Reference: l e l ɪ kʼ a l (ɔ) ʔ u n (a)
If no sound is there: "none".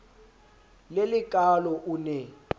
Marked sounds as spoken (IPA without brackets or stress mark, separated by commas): ɔ, ɛ